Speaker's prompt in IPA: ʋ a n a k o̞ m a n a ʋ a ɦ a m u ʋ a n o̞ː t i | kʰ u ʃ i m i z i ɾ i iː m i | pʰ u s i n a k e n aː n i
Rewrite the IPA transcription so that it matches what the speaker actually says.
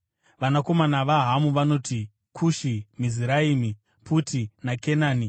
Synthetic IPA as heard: ʋ a n a k o̞ m a n a ʋ a ɦ a m u ʋ a n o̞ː t i | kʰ u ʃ i m i z i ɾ a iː m i | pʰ u t i n a k e n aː n i

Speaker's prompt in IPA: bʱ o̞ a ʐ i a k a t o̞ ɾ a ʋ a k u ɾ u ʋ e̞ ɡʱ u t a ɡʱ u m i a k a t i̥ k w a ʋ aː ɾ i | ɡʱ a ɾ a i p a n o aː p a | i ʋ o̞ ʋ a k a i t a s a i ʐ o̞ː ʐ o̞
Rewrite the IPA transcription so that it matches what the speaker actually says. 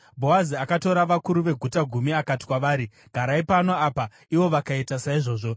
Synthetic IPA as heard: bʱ o̞ a z i a k a t o̞ ɾ a ʋ a k u ɾ u ʋ e̞ ɡʱ u t a ɡʱ u m i a k a t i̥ k w a ʋ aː ɾ i | ɡʱ a ɾ a i p a n o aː p a | i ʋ o̞ ʋ a k a i t a s a i ʐ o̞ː ʐ o̞

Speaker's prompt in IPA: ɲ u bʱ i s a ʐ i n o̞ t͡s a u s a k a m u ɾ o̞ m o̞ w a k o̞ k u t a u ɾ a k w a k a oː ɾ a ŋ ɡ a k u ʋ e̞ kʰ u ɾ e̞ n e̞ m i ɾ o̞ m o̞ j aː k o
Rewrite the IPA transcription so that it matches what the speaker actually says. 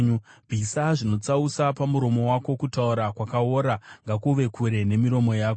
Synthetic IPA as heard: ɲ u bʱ i s a ʐ i n o̞ t͡s a u s a p a m u ɾ o̞ m o̞ w a k o̞ k u t a u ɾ a k w a k a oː ɾ a ŋ ɡ a k u ʋ e̞ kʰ u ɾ e̞ n e̞ m i ɾ o̞ m o̞ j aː k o

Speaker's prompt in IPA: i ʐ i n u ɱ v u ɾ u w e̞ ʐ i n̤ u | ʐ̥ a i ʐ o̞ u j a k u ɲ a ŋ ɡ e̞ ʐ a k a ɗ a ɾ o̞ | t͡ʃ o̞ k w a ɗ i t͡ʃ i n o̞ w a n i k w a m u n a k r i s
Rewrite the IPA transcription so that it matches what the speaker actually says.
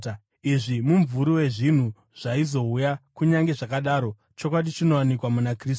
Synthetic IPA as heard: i ʐ i m u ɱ v u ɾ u w e̞ ʐ i n̤ u | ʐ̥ a i z o̞ u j a k u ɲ a ŋ ɡ e̞ ʐ a k a ɗ a ɾ o̞ | t͡ʃ o̞ k w a ɗ i t͡ʃ i n o̞ w a n i k w a m u n a k r i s

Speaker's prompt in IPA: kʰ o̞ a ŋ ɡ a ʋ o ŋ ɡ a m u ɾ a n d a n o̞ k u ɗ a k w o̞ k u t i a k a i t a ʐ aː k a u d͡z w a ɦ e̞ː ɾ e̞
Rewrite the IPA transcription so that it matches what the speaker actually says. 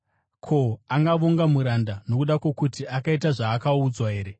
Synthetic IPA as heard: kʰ o̞ a ŋ ɡ a ʋ o ŋ ɡ a m u ɾ a n d a n o̞ k u ɗ a k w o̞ k u t i a k a i t a ʐ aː k a u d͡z w a ɦ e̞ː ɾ e̞

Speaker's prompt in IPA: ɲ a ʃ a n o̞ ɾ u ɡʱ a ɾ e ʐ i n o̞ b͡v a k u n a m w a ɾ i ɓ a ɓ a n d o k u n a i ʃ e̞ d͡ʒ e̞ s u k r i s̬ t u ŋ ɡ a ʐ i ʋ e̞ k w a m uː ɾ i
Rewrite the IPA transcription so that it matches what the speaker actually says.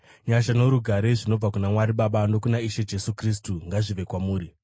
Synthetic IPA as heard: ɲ a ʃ a n o̞ ɾ u ɡʱ a ɾ e ʐ i n o̞ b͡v a k u n a m w a ɾ i ɓ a ɓ a n d o k u n a i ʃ e̞ d͡ʒ e̞ s u k r i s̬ t u ŋ ɡ a ʐ i ʋ e̞ k w a m uː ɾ i

